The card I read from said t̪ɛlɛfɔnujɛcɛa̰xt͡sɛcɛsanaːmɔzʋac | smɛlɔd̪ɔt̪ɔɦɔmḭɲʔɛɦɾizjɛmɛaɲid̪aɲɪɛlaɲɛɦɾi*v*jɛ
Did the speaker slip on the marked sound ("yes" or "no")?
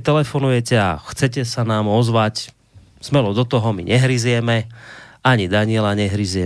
yes